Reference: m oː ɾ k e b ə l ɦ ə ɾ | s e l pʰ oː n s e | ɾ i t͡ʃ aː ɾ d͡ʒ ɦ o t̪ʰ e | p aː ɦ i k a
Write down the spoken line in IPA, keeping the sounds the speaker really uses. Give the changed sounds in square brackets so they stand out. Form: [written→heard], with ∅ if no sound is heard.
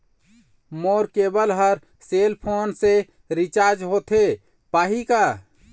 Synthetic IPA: m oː ɾ k e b ə l ɦ ə ɾ | s e l pʰ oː n s e | ɾ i t͡ʃ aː ɾ d͡ʒ ɦ o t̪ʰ e | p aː ɦ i k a